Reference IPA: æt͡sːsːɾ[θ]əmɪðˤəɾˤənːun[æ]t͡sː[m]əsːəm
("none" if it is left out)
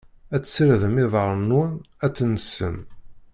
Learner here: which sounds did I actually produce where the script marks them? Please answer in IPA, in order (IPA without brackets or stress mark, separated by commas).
ð, æ, n